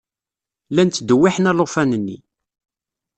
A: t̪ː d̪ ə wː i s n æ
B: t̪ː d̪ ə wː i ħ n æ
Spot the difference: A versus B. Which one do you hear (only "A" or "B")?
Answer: B